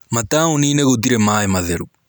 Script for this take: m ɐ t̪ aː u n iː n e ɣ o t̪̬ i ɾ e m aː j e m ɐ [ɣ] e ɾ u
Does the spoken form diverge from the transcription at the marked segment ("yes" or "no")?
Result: yes